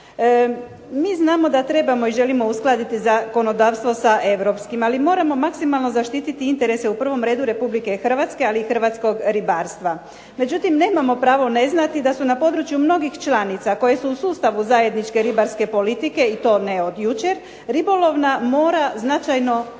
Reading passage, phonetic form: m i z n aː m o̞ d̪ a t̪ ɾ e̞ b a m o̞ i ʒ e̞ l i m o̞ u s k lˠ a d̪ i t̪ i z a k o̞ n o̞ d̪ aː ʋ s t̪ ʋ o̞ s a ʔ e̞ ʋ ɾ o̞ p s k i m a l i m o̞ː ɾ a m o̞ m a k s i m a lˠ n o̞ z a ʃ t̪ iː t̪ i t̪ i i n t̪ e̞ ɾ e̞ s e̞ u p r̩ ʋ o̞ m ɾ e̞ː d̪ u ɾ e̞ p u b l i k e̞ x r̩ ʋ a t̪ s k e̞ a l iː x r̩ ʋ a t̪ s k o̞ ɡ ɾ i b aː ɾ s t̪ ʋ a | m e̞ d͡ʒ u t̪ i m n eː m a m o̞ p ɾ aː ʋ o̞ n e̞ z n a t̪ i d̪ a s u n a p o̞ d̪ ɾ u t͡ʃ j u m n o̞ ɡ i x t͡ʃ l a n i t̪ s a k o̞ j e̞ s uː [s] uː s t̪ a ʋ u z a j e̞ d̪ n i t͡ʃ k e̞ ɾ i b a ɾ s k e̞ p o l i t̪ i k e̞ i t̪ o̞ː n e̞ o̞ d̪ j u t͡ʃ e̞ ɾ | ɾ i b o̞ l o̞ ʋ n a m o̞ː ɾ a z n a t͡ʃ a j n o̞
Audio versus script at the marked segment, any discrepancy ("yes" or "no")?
no